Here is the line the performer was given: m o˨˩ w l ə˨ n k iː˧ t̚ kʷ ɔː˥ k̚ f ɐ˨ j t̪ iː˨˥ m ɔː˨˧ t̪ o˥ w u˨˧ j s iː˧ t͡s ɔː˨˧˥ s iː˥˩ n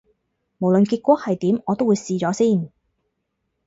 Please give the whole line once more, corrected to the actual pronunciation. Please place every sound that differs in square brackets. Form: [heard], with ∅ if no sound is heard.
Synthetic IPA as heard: m o˨˩ w l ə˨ n k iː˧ t̚ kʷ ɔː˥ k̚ [h] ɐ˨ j t̪ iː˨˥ m ɔː˨˧ t̪ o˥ w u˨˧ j s iː˧ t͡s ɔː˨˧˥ s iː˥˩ n